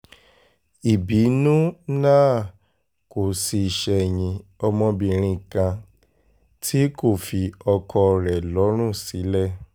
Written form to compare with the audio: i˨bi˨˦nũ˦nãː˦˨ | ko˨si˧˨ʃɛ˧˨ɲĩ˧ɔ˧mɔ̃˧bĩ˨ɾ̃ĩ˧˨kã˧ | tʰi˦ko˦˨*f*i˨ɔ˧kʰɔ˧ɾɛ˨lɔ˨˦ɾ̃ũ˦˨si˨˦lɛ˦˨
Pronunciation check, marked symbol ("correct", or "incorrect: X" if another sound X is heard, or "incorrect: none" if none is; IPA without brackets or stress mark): correct